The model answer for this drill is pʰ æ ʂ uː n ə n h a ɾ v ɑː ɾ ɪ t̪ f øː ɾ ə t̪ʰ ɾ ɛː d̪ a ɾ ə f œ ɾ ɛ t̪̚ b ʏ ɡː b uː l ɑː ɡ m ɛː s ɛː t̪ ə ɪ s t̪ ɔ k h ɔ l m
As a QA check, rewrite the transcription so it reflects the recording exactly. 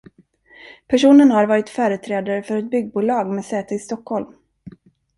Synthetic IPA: pʰ æ ʂ uː n ə n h a ɾ v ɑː ɾ ɪ t̪ f œː ɾ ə t̪ʰ ɾ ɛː d̪ a ɾ ə f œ ɾ ɛ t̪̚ b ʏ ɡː b uː l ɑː ɡ m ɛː s ɛː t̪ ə ɪ s t̪ ɔ k h ɔ l m